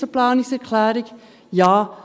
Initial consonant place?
labial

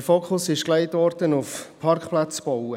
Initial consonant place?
labial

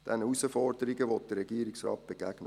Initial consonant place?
alveolar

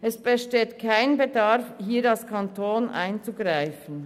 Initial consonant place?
alveolar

